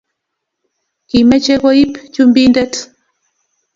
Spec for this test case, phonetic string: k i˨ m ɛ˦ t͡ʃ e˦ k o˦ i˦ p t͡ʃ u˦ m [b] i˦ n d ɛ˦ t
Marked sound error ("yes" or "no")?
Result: no